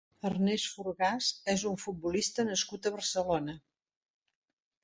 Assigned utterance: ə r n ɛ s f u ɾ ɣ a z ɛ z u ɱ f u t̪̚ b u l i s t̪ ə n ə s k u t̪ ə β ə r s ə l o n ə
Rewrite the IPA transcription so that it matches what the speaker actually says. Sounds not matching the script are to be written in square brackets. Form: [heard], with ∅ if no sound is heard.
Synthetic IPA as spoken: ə r n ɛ s f u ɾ ɣ a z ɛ z u ɱ f u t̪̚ b u l i s t̪ ə n ə s k u t̪ ə β ə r s ə l o n ə